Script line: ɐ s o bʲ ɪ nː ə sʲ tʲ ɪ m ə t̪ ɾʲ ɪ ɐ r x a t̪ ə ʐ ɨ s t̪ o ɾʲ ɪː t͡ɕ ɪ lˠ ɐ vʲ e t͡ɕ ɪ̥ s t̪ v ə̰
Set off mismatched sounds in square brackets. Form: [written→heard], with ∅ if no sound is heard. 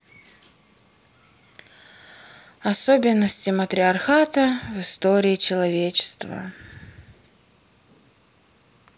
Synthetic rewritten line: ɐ s o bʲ ɪ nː ə sʲ tʲ ɪ m ə t̪ ɾʲ ɪ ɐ r x a t̪ ə [ʐ→v] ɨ s t̪ o ɾʲ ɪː t͡ɕ ɪ lˠ ɐ vʲ e t͡ɕ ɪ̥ s t̪ v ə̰